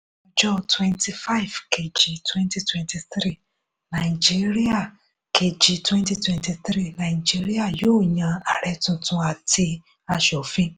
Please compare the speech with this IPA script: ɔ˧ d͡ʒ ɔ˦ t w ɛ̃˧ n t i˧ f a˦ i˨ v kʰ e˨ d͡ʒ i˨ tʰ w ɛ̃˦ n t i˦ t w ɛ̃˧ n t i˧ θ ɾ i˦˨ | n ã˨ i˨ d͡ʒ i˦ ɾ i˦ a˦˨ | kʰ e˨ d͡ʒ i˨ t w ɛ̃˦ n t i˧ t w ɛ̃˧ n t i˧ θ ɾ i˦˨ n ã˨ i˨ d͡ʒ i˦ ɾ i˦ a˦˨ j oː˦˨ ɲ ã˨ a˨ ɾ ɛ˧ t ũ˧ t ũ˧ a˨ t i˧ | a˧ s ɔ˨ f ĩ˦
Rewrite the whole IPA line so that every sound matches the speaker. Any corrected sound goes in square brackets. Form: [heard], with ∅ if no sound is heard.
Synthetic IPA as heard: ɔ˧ d͡ʒ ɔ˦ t w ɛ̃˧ n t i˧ f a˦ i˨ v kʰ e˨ d͡ʒ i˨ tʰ w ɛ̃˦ n t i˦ t w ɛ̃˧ n t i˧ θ ɾ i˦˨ | n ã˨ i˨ d͡ʒ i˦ ɾ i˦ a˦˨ | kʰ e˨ d͡ʒ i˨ t w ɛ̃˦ n t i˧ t w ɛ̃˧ n t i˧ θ ɾ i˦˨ n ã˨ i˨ d͡ʒ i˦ ɾ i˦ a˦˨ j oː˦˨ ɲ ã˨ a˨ ɾ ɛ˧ t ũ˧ t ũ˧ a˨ t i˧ | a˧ [ʃ] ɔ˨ f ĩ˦